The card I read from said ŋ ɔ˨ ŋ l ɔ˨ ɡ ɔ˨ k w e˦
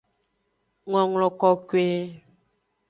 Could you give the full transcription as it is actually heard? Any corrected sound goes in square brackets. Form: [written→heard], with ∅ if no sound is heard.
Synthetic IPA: ŋ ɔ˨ ŋ l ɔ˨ [ɡ→k] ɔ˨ k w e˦